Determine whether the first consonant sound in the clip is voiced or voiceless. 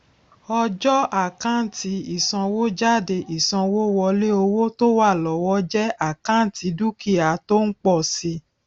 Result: voiced